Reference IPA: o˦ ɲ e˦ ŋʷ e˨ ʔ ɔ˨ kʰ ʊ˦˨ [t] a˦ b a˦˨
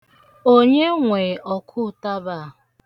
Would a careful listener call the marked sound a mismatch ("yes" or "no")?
no